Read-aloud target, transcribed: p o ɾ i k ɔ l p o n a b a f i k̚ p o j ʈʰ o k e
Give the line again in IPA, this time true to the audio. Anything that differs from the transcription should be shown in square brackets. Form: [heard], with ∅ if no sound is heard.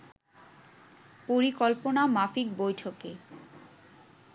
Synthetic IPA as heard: p o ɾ i k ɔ l p o n a [m] a f i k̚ [b] o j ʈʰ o k e